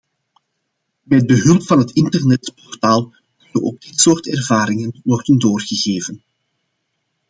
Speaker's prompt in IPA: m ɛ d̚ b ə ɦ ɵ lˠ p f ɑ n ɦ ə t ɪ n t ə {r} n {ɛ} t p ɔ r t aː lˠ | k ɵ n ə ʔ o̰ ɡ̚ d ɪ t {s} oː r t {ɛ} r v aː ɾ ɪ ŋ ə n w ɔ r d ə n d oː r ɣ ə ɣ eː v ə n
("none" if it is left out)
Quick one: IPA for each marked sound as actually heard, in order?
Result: r, ɛ, s, ɛ

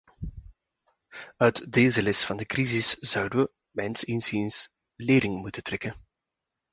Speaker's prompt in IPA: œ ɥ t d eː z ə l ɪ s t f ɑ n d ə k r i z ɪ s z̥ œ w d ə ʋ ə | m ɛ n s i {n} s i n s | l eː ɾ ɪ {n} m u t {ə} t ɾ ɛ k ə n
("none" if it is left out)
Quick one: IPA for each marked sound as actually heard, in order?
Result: n, ŋ, ə

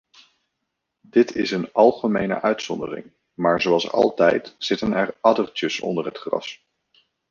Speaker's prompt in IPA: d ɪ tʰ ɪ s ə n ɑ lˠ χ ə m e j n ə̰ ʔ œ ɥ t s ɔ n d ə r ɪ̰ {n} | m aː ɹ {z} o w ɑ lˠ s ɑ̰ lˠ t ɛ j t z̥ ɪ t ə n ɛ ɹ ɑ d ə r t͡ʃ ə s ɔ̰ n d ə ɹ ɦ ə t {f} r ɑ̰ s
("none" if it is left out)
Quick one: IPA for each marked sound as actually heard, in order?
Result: ŋ, z, χ

